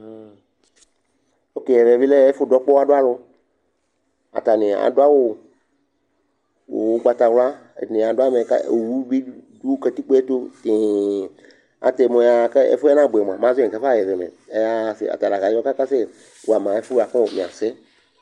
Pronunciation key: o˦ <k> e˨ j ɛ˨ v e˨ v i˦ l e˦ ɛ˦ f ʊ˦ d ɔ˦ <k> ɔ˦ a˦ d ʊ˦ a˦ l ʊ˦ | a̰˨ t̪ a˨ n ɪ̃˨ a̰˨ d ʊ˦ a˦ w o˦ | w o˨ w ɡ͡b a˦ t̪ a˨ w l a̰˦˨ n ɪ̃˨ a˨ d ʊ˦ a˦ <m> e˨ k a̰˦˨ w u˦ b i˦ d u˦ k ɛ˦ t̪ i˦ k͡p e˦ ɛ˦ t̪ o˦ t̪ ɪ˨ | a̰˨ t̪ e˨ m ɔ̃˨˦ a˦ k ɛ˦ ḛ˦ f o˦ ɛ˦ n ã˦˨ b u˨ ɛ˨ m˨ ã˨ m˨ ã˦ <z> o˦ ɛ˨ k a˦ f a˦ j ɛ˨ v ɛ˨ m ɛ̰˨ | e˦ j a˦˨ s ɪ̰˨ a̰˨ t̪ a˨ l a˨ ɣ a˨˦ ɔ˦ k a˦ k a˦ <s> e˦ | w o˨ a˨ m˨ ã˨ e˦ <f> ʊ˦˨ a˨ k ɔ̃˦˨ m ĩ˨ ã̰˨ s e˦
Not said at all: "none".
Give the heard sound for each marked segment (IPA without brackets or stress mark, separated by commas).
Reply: k, k͡p, m, z, s, f